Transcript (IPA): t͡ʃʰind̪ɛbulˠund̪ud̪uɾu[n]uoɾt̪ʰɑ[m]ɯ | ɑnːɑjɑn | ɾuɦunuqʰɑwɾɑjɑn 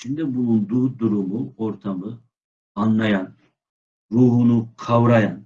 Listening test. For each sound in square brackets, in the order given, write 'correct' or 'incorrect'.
incorrect: m, correct

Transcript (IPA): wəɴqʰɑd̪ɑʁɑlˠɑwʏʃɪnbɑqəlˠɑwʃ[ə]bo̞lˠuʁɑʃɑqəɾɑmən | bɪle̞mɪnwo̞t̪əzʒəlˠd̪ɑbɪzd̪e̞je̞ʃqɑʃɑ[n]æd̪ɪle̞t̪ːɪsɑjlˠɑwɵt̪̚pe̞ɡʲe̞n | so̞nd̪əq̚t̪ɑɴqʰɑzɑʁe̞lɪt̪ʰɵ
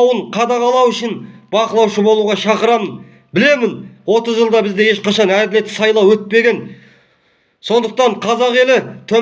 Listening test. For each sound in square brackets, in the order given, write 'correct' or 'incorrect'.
correct, correct

